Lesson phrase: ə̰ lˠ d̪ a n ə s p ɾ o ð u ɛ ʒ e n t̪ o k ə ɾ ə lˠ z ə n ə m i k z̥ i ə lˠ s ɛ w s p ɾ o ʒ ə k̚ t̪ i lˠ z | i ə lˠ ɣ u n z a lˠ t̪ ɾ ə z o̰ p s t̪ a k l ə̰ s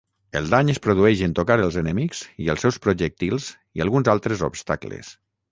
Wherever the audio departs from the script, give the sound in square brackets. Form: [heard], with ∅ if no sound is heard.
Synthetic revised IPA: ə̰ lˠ d̪ a [ɲ] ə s p ɾ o ð u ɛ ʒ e n t̪ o k [a] ɾ ə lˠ z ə n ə m i k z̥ i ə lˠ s ɛ w s p ɾ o ʒ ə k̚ t̪ i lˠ z | i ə lˠ ɣ u n z a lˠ t̪ ɾ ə z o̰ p s t̪ a k l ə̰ s